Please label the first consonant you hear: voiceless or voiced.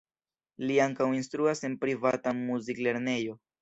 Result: voiced